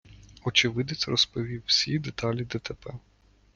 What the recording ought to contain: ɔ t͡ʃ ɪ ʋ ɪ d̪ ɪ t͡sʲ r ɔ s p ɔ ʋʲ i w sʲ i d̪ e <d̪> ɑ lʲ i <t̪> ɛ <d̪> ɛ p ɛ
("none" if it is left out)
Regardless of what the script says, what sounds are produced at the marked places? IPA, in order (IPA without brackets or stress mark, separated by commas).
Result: t̪, d̪, t̪